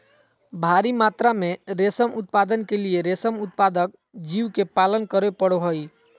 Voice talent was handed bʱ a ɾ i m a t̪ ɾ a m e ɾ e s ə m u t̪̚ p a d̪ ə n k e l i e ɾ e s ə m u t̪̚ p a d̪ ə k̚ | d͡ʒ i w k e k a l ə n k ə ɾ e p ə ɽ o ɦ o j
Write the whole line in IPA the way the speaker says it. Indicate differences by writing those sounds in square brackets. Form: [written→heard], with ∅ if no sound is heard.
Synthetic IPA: bʱ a ɾ i m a t̪ ɾ a m e ɾ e s ə m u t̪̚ p a d̪ ə n k e l i e ɾ e s ə m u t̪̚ p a d̪ ə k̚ | d͡ʒ i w k e [k→p] a l ə n k ə ɾ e p ə ɽ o ɦ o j